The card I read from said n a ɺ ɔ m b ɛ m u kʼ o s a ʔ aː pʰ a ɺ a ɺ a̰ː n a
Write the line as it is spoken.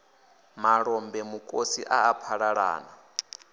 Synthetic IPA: m a ɺ ɔ m b ɛ m u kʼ o s i ʔ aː pʰ a ɺ a ɺ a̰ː n a